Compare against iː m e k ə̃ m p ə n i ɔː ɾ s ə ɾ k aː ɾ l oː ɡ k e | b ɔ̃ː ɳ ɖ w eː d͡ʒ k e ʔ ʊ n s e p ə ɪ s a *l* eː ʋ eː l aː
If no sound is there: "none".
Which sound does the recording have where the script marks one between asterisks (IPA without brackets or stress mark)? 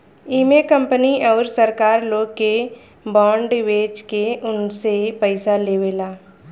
l